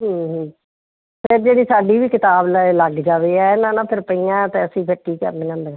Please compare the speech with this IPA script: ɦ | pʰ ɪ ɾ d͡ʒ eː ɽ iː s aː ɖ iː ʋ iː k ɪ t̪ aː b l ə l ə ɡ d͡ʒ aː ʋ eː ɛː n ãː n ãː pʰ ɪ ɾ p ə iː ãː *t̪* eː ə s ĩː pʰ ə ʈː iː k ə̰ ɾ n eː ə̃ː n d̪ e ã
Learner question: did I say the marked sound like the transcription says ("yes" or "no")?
yes